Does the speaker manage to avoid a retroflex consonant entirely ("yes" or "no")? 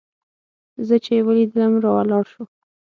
yes